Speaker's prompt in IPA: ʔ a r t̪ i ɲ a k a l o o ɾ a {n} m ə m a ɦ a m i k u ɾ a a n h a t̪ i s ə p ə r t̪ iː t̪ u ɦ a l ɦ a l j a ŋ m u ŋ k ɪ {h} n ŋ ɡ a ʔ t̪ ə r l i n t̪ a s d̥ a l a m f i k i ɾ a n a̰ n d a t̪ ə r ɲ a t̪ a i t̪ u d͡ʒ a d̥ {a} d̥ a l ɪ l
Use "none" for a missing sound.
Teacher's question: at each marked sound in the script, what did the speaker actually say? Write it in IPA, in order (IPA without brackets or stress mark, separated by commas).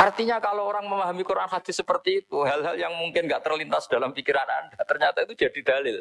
ŋ, none, i